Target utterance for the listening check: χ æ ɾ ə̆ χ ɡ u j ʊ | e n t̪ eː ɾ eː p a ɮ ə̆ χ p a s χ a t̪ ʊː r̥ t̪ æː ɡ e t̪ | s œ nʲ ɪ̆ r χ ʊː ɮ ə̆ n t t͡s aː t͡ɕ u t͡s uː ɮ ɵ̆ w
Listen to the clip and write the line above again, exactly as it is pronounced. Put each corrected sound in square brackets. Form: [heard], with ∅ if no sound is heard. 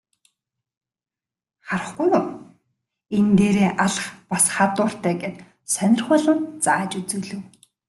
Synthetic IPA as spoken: χ [a] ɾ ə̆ χ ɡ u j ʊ | e n t̪ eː ɾ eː [ʔ] a ɮ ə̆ χ p a s χ a t̪ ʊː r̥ t̪ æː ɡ e t̪ | s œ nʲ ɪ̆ r χ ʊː ɮ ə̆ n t t͡s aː t͡ɕ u t͡s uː ɮ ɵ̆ w